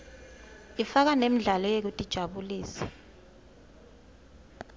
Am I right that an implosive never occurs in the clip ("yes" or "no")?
no